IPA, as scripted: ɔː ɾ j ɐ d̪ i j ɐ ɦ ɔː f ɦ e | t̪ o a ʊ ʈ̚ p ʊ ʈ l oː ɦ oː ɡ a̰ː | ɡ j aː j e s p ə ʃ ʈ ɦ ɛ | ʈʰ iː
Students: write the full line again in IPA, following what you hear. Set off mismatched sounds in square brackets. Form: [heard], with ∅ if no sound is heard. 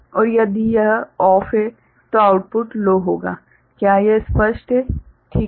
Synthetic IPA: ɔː ɾ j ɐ d̪ i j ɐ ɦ ɔː f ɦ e | t̪ o a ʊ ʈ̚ p ʊ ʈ l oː ɦ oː ɡ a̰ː | [k] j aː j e s p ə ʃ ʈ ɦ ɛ | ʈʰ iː

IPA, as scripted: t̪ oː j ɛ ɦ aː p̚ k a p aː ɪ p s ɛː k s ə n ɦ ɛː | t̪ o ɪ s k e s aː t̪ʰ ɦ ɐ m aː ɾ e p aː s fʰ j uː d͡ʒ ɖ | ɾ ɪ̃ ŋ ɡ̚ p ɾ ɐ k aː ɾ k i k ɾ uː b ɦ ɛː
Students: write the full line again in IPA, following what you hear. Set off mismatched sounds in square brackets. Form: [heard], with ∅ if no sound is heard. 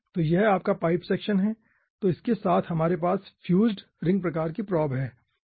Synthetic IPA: t̪ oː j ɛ ɦ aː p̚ k a p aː ɪ p s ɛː k [ʃ] ə n ɦ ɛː | t̪ o ɪ s k e s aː t̪ʰ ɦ ɐ m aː ɾ e p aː s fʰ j uː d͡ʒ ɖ | ɾ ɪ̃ ŋ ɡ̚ p ɾ ɐ k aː ɾ k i [p] ɾ [ɔː] b ɦ ɛː

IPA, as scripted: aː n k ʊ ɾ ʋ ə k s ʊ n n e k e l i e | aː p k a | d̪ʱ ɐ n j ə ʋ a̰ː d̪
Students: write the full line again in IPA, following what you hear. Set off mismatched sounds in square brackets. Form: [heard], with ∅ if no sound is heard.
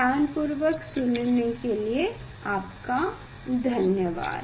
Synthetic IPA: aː n [p] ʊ ɾ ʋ ə k s ʊ n n e k e l i e | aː p k a | d̪ʱ ɐ n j ə ʋ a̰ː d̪

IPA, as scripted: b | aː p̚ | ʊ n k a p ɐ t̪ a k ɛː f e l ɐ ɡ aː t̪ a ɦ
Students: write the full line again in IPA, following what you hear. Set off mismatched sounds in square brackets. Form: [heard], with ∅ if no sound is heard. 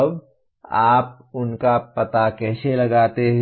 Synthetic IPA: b | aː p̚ | ʊ n k a p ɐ t̪ a k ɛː [s] e l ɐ ɡ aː t̪ [e] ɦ

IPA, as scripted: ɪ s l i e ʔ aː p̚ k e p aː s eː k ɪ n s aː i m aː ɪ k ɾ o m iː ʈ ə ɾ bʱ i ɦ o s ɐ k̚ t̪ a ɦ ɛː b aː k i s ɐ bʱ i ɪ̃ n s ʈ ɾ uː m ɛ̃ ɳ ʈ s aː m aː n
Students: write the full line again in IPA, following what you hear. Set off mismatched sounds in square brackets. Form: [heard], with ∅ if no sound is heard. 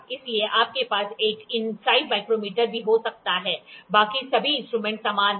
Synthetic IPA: ɪ s l i e ʔ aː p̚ k e p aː s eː k ɪ n s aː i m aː ɪ k ɾ o m iː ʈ ə ɾ bʱ i ɦ o s ɐ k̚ t̪ a ɦ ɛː b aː k i s ɐ bʱ i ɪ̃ n s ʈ ɾ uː m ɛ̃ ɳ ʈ s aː m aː n

